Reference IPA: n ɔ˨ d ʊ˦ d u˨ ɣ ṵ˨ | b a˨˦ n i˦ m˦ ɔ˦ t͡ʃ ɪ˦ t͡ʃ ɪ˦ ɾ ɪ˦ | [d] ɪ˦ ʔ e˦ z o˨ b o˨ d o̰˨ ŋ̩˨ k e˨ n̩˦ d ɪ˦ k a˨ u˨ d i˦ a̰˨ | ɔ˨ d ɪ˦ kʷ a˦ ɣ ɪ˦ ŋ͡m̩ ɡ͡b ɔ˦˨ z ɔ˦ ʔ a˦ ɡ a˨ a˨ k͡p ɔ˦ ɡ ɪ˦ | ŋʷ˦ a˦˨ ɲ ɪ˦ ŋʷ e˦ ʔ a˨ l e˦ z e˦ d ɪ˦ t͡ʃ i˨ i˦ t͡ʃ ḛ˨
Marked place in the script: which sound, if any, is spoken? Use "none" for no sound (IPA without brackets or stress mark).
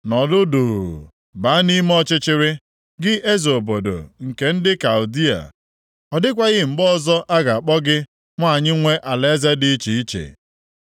ɡ